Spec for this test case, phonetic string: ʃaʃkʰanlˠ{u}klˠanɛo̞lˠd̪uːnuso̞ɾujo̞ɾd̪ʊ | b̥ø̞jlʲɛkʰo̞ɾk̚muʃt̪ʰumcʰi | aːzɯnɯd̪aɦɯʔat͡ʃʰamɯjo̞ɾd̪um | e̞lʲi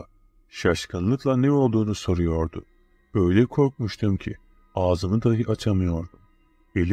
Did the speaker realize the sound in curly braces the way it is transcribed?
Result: no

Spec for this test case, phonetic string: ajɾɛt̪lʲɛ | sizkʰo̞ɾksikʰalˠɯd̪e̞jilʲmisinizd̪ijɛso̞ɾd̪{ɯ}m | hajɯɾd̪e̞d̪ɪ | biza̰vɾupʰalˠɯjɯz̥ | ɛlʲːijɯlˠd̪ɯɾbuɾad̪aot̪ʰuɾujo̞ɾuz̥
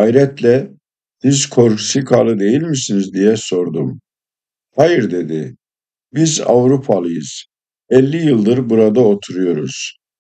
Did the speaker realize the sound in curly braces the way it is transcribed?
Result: no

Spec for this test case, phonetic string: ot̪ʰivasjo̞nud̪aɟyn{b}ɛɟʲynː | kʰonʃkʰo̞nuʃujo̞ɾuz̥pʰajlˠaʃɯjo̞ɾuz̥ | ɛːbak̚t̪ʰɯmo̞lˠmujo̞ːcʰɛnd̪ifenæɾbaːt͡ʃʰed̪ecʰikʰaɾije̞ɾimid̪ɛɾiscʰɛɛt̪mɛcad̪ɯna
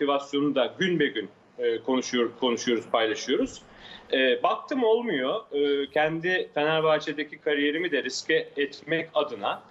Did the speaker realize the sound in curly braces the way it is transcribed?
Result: yes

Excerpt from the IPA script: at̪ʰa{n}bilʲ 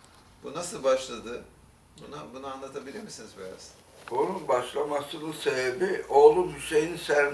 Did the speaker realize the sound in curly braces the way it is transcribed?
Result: no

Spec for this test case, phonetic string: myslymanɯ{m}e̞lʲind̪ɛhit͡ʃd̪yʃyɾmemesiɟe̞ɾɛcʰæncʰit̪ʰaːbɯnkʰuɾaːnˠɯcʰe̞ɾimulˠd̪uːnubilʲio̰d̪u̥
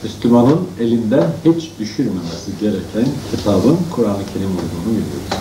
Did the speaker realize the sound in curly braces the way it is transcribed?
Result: no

